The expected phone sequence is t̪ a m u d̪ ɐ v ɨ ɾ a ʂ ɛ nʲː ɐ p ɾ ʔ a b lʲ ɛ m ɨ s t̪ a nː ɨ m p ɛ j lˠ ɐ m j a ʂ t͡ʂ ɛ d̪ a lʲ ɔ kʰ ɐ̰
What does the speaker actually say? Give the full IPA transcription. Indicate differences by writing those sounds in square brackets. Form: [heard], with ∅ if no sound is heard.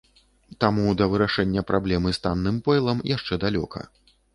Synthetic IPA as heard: t̪ a m u d̪ ɐ v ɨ ɾ a ʂ ɛ nʲː ɐ p ɾ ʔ a b lʲ ɛ m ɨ s t̪ a nː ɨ m p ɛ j lˠ ɐ m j a ʂ t͡ʂ ɛ d̪ a lʲ ɔ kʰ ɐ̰